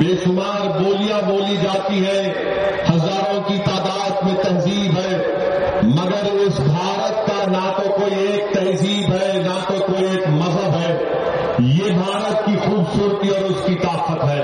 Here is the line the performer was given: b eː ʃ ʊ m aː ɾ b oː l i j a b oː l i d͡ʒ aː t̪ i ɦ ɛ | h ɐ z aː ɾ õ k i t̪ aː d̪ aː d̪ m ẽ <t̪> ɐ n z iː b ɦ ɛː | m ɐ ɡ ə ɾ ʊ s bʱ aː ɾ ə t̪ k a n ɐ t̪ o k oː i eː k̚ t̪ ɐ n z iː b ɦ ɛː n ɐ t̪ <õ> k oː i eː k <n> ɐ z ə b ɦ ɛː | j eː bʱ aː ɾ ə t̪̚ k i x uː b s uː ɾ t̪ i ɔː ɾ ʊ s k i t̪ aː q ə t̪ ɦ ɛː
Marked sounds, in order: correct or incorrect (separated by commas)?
correct, incorrect, incorrect